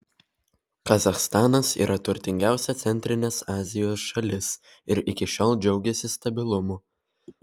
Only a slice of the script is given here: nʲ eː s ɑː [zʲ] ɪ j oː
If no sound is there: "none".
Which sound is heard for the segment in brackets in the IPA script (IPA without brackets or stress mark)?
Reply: zʲ